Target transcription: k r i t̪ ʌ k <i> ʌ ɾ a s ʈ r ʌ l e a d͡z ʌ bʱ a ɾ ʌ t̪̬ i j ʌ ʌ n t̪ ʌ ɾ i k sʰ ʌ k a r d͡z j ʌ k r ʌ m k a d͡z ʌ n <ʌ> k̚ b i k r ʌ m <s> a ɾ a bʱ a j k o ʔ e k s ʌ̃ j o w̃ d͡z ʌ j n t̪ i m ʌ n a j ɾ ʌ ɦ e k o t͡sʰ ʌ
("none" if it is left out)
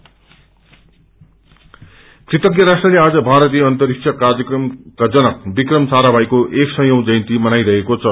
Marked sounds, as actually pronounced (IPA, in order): j, ʌ, s

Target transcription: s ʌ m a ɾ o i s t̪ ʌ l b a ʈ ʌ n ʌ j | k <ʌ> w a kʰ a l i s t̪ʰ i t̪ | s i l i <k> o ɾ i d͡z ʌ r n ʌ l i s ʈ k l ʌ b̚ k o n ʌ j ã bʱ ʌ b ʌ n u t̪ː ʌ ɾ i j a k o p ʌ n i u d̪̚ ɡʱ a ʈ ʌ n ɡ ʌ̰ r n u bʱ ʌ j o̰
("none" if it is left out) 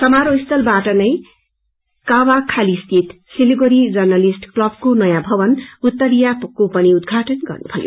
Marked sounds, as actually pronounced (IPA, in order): a, ɡ

